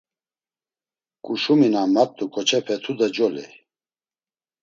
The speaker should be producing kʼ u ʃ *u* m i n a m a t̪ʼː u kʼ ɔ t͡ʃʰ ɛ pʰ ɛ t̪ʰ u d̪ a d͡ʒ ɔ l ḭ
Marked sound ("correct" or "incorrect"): correct